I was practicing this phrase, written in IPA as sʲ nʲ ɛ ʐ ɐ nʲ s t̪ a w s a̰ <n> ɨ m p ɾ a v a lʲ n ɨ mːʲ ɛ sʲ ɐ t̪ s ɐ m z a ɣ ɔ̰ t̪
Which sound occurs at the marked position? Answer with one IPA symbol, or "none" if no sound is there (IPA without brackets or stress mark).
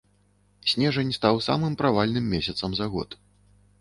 m